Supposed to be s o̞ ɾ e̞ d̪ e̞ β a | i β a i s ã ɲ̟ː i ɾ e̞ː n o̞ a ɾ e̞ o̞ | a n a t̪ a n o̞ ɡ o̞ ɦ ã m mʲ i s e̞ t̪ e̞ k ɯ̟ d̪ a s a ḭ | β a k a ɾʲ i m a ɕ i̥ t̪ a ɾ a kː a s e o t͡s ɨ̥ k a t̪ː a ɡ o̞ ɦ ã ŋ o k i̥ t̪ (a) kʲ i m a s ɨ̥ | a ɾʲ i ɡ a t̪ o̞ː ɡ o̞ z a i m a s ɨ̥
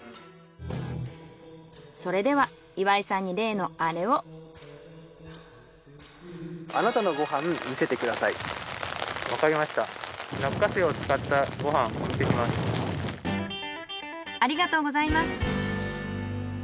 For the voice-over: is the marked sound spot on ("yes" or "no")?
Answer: no